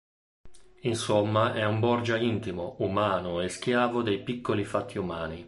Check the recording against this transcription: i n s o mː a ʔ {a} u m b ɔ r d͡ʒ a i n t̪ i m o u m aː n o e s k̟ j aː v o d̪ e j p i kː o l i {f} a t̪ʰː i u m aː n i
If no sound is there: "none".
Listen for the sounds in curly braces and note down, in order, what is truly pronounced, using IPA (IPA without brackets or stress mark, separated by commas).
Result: ɛ, f